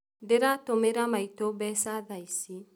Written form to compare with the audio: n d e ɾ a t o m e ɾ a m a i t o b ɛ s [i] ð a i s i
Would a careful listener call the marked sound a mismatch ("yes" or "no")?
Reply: yes